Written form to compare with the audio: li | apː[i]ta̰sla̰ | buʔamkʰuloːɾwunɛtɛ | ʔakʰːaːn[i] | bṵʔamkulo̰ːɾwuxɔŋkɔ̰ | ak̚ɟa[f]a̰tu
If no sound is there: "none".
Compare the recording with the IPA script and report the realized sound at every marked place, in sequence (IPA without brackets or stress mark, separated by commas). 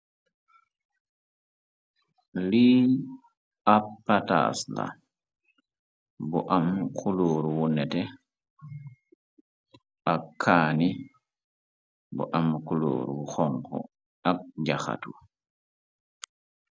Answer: a, i, x